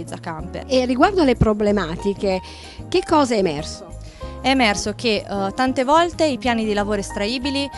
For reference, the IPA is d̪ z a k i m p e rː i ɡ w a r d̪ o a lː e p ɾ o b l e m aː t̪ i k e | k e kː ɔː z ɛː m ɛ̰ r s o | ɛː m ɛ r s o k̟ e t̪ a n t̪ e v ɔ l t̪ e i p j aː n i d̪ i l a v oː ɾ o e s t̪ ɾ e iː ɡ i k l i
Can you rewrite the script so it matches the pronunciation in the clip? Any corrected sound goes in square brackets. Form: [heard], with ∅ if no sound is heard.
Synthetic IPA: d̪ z a k [a] m p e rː i ɡ w a r d̪ o a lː e p ɾ o b l e m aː t̪ i k e | k e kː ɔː z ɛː m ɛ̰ r s o | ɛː m ɛ r s o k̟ e t̪ a n t̪ e v ɔ l t̪ e i p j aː n i d̪ i l a v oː ɾ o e s t̪ ɾ [a] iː [b] i [∅] l i